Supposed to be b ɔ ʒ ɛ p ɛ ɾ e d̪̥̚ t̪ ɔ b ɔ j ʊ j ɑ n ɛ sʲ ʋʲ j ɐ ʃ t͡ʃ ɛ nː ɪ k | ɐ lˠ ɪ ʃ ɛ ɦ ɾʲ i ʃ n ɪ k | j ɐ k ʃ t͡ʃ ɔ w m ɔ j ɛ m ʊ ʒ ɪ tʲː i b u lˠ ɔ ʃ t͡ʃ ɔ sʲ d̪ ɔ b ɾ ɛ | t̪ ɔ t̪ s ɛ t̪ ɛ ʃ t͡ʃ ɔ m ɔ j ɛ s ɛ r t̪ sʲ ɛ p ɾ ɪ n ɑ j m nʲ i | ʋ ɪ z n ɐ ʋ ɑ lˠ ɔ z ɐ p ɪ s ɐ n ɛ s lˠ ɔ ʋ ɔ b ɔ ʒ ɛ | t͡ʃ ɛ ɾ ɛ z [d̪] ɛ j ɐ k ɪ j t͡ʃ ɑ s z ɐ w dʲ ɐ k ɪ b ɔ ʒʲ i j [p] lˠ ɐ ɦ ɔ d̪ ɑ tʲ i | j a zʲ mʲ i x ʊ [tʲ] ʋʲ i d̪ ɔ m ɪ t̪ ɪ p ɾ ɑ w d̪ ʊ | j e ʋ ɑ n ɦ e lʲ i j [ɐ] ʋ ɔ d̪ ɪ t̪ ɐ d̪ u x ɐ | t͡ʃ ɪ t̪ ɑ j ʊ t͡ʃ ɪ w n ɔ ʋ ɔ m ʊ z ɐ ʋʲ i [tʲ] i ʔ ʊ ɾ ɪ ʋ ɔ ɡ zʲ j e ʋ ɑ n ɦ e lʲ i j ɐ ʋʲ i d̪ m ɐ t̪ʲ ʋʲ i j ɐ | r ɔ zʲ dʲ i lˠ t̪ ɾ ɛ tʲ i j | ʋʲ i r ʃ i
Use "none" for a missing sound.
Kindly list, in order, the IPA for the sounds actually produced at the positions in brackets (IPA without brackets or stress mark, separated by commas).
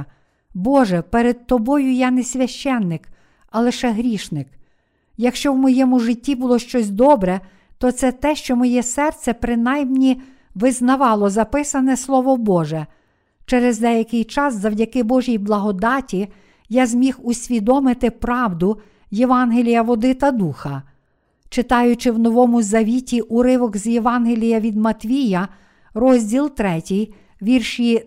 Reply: d̪, b, sʲ, ɐ, tʲ